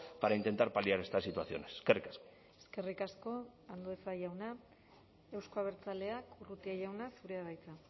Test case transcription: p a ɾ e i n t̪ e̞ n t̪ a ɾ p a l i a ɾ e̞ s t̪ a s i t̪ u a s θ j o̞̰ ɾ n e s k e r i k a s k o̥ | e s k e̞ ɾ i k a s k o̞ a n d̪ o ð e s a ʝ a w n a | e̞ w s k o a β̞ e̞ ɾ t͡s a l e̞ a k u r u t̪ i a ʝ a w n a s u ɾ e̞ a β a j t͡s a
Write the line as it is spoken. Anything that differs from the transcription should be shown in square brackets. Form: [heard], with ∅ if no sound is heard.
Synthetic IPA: p a ɾ [a] i n t̪ e̞ n t̪ a ɾ p a l i a ɾ e̞ s t̪ a s i t̪ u a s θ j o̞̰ [∅] n e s k e r i k a s k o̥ | e s k e̞ [r] i k a s k o̞ a n d̪ o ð e s a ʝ a w n a | e̞ w s k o a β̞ e̞ ɾ t͡s a l e̞ a k u r u t̪ i a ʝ a w n a s u ɾ e̞ a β a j t͡s a